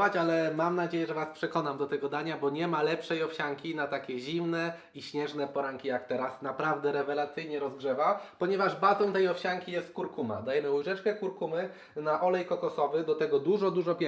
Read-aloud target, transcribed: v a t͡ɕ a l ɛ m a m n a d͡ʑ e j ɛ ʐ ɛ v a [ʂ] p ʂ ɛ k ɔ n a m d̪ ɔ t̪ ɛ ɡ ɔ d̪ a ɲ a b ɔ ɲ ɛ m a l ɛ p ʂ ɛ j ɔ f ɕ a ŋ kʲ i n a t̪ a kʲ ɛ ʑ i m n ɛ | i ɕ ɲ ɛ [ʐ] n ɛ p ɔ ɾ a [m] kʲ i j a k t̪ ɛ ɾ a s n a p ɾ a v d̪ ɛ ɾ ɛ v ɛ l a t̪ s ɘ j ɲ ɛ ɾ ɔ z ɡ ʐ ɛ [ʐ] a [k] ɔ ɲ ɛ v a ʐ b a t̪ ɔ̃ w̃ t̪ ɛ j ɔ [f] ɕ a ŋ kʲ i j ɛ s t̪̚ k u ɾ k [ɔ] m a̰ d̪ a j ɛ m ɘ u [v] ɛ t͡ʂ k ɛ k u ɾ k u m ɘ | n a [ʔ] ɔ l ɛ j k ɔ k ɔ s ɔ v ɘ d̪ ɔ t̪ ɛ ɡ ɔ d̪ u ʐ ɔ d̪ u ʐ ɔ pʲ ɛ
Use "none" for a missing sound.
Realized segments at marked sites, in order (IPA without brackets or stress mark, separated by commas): s, ʐ, ŋ, v, p, f, u, ʐ, ʔ